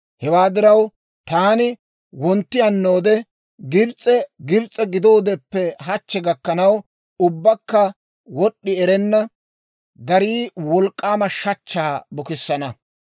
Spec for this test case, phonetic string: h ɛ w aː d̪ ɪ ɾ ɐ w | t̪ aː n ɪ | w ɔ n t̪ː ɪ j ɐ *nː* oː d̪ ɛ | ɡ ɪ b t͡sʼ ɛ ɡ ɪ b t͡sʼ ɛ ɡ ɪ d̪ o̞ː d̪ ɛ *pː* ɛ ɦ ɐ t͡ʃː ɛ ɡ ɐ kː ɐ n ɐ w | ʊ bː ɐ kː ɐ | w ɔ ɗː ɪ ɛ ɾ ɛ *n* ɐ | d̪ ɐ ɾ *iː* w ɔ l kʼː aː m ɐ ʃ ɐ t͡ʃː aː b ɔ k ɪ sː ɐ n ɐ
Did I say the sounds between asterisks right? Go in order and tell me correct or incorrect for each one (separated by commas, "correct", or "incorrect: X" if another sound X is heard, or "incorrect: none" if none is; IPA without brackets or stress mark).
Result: correct, correct, incorrect: nː, correct